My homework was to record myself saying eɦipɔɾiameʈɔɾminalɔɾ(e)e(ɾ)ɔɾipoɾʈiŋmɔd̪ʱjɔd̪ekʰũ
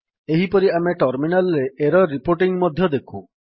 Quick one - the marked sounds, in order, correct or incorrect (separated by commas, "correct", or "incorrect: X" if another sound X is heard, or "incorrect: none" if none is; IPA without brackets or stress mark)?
correct, correct